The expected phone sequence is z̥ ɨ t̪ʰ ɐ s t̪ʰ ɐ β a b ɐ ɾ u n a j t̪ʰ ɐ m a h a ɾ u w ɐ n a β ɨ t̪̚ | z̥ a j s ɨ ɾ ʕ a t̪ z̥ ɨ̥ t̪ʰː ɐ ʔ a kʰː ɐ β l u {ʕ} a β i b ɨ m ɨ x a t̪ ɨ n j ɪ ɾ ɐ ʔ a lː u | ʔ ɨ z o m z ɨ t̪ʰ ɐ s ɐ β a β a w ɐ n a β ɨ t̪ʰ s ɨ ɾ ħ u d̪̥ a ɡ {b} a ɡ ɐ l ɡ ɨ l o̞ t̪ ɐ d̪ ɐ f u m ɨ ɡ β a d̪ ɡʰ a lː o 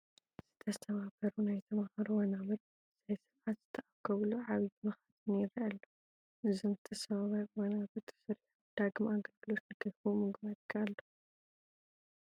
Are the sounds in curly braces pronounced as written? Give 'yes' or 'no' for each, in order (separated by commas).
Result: yes, no